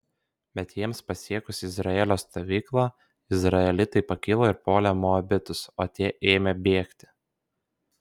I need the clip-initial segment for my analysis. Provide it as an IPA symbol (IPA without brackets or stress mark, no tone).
bʲ